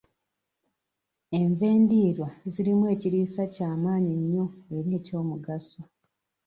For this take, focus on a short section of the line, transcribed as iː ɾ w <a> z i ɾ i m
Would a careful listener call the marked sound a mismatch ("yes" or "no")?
no